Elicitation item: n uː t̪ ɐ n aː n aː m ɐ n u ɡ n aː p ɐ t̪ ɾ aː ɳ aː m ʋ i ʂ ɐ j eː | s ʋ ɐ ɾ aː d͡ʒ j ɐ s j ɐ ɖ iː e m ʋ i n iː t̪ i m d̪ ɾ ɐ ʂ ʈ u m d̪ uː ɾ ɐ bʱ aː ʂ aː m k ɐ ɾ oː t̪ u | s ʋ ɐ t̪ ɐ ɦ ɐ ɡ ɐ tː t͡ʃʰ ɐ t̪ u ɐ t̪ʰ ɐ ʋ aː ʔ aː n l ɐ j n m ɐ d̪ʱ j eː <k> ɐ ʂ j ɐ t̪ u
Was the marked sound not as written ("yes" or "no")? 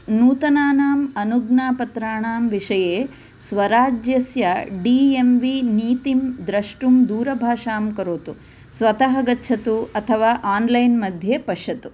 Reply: yes